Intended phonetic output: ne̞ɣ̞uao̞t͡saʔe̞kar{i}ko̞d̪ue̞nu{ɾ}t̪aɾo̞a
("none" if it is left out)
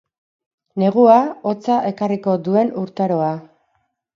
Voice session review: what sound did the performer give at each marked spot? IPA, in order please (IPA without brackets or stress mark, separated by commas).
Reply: i, ɾ